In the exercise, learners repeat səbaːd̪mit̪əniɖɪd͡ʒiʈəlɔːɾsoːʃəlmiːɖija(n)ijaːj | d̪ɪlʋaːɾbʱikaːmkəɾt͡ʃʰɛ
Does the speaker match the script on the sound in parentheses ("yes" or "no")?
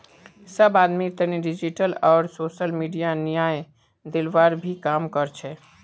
yes